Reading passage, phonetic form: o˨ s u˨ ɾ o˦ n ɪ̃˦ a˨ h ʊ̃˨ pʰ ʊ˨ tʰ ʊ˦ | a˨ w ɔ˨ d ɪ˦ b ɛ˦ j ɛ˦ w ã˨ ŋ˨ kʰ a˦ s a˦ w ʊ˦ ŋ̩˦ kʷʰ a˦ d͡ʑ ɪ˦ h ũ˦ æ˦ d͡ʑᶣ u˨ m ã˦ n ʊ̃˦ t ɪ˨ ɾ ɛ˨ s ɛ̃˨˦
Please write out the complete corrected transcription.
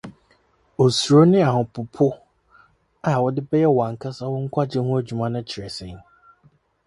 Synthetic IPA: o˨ s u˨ ɾ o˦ n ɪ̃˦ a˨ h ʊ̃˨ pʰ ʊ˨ pʰ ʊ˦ | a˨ w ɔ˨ d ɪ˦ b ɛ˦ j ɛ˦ w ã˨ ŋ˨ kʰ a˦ s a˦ w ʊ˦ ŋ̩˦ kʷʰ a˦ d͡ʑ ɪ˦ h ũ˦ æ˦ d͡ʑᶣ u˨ m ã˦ n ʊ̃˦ t͡ɕʰ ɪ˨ ɾ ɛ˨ s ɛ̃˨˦